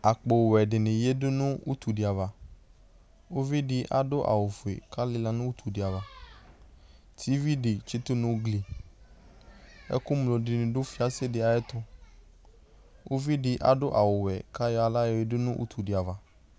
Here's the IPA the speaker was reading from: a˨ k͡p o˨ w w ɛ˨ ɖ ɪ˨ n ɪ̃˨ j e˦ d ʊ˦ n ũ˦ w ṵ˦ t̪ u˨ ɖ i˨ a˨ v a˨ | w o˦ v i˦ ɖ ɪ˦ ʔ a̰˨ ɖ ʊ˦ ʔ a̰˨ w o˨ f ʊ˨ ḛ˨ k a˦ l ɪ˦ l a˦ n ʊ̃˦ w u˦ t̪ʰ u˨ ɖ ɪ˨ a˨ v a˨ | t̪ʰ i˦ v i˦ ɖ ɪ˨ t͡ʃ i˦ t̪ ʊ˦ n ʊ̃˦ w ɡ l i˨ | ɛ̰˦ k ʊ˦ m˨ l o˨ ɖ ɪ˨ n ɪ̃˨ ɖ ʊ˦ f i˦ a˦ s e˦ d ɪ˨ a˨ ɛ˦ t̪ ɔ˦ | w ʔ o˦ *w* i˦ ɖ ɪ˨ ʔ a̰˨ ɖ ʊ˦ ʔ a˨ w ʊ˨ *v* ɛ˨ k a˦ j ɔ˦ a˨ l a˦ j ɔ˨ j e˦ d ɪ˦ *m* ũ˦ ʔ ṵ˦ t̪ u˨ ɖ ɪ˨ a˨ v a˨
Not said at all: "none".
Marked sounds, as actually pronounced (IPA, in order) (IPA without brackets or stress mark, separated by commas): v, w, n